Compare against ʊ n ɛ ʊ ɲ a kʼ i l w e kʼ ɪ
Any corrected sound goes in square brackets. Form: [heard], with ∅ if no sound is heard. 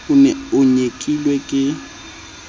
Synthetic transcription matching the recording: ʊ n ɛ ʊ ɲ [e] kʼ i l w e kʼ ɪ